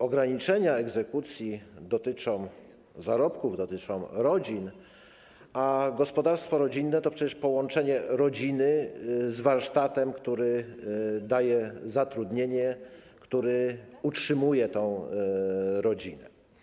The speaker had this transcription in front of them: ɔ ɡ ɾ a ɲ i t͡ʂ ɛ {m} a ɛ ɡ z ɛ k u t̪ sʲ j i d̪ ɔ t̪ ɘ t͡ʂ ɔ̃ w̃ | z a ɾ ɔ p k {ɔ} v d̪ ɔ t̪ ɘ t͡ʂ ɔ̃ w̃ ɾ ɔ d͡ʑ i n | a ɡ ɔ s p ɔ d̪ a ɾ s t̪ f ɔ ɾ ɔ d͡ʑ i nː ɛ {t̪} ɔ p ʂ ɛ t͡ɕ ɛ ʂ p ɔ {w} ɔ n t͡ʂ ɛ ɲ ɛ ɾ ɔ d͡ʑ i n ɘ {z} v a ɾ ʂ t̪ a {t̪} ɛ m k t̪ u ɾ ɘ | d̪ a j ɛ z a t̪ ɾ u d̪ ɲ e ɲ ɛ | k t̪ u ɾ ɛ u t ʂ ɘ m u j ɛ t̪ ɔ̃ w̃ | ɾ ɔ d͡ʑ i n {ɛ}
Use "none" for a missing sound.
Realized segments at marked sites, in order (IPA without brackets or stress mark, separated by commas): ɲ, u, t̪, w, z, t̪, ɛ